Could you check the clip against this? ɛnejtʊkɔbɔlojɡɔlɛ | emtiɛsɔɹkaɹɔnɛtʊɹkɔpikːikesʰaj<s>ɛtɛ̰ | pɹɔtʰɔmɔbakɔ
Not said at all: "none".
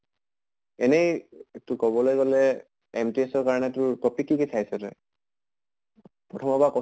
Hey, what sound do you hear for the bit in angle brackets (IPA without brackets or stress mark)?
s